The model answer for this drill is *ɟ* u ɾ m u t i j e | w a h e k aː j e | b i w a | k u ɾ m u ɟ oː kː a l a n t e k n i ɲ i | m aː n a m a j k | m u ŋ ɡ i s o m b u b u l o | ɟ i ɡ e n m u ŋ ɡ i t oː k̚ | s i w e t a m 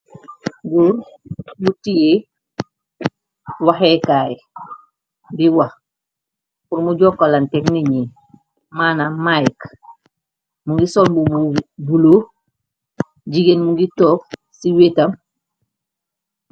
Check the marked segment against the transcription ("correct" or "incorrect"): incorrect